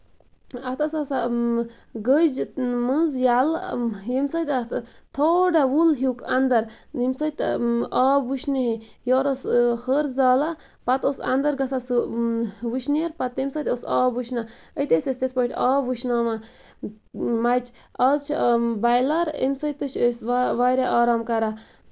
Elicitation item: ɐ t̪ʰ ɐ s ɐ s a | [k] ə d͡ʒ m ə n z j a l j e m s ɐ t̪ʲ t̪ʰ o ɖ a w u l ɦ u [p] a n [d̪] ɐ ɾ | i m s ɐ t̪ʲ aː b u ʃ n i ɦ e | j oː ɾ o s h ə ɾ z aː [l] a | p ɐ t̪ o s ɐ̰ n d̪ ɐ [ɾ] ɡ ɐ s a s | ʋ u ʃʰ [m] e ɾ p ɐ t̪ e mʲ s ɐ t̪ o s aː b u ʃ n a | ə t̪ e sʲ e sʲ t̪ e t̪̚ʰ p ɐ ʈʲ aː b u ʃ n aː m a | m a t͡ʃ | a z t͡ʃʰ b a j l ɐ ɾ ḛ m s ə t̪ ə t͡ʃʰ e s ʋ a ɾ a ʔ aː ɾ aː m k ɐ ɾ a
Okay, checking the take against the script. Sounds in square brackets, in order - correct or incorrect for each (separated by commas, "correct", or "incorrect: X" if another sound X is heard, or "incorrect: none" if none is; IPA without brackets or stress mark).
incorrect: ɡ, incorrect: k, correct, correct, correct, incorrect: n